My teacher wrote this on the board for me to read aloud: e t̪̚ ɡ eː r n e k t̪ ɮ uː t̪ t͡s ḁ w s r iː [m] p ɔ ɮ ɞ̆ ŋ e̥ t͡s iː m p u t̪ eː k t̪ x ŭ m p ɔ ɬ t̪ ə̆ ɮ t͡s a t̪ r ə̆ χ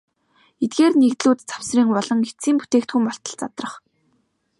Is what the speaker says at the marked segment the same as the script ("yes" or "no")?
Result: no